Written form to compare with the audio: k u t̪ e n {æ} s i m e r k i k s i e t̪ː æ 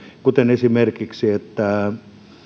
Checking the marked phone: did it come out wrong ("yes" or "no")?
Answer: yes